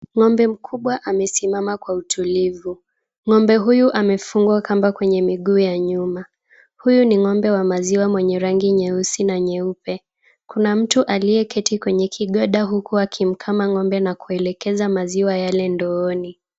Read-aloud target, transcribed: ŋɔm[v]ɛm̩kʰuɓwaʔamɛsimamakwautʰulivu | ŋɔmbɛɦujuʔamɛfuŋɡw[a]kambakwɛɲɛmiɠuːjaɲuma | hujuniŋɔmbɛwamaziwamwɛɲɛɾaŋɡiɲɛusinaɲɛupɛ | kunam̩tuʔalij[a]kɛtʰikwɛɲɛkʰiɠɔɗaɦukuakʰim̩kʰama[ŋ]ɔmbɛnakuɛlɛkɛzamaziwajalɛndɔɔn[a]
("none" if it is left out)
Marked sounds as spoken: b, a, ɛ, ŋ, i

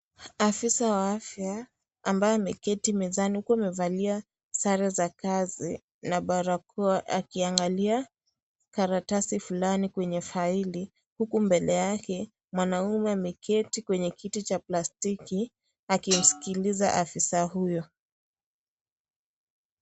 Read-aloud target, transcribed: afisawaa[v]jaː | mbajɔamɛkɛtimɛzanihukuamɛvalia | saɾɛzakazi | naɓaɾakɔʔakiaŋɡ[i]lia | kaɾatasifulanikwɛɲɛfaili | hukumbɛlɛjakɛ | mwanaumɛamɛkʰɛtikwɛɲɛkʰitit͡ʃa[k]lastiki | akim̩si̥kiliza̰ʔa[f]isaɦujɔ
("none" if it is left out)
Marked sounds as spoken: f, a, p, f

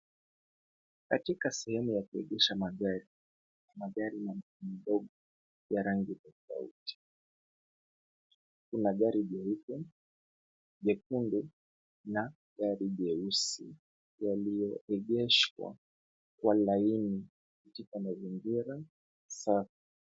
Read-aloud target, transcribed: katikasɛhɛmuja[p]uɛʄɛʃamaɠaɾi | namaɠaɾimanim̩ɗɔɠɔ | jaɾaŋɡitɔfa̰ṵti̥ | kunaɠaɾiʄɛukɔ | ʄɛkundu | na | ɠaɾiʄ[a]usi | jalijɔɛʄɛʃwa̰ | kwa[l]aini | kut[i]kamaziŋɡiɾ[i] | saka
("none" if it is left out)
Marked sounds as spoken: k, ɛ, l, i, a

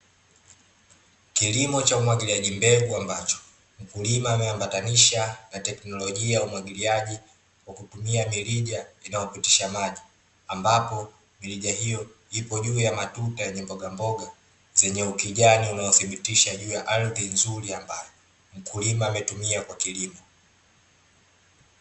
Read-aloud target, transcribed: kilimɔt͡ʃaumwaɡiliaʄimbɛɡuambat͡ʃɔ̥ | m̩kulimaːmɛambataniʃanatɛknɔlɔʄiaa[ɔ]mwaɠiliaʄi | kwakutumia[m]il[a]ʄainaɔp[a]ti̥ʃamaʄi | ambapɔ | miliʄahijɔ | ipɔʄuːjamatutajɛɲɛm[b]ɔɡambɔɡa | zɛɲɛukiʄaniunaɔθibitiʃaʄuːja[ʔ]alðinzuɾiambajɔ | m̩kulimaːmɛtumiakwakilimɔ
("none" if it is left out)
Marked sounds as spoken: u, m, i, i, b, ʔ

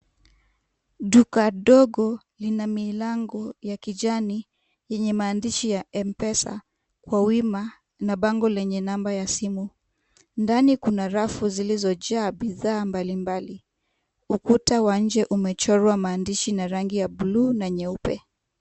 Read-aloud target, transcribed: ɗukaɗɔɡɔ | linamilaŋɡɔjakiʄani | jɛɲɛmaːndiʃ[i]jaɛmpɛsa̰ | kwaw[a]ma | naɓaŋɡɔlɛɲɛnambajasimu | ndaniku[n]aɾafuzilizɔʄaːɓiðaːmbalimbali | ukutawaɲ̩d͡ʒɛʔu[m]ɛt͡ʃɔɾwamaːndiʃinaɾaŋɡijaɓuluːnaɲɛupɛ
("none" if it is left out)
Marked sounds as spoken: i, i, n, m

